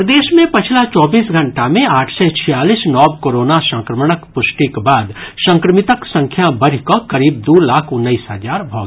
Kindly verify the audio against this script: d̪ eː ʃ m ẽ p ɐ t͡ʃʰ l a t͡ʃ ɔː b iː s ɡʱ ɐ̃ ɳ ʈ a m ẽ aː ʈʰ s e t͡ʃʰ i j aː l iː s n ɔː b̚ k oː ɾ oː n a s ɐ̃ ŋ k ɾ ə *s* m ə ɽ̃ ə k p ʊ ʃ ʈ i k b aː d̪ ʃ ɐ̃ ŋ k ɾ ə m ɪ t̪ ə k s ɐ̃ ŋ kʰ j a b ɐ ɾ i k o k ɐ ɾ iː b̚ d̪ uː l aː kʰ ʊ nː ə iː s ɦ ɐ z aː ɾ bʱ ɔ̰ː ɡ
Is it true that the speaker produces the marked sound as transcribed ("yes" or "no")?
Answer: no